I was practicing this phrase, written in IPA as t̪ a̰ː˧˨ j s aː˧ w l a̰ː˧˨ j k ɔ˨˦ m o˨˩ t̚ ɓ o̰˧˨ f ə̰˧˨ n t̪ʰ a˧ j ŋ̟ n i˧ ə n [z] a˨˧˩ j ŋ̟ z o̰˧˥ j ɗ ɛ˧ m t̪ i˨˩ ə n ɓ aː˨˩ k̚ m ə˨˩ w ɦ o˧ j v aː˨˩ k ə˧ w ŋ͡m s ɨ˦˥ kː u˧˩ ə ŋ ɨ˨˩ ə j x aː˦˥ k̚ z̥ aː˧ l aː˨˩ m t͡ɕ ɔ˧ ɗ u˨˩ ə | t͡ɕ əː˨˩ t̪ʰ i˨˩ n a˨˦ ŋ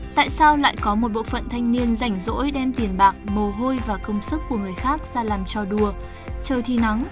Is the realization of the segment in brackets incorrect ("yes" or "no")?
no